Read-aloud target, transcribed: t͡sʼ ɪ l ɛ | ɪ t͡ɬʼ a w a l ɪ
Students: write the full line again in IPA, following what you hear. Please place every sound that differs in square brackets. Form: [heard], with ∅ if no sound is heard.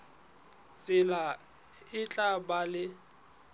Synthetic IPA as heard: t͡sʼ ɪ l [a] | ɪ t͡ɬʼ a [b] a l ɪ